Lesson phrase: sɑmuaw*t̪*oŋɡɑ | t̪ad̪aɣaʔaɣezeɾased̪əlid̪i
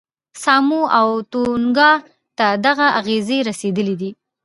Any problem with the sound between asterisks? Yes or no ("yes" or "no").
no